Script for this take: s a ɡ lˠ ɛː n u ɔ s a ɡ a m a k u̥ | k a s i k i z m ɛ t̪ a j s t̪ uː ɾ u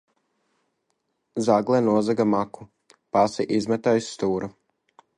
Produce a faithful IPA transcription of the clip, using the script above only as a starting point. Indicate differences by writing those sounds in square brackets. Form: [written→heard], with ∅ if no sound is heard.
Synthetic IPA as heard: [s→z] a ɡ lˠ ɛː n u ɔ [s→z] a ɡ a m a k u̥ | [k→p] a s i [k→ʔ] i z m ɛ t̪ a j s t̪ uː ɾ u